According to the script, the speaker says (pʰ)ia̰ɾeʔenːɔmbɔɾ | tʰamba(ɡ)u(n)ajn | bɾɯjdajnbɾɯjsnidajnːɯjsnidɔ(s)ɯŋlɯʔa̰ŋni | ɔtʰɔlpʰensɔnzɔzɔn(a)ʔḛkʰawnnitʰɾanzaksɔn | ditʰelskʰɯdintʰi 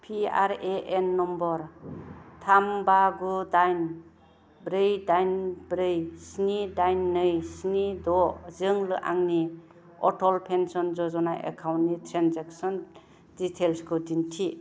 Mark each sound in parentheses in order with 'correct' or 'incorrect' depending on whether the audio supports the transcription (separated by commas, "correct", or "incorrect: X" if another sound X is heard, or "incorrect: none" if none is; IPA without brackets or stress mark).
correct, correct, incorrect: d, incorrect: z, correct